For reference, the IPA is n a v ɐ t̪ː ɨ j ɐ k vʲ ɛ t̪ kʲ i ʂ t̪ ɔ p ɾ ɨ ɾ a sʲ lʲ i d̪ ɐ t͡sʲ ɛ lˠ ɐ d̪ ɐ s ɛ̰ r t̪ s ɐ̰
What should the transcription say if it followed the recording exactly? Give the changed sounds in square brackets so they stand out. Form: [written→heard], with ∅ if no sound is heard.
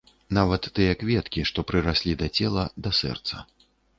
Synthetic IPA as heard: n a v ɐ t̪ː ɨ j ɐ k vʲ ɛ t̪ kʲ i ʂ t̪ ɔ p ɾ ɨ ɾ a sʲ lʲ i d̪ ɐ t͡sʲ ɛ lˠ ɐ d̪ ɐ s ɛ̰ r t̪ s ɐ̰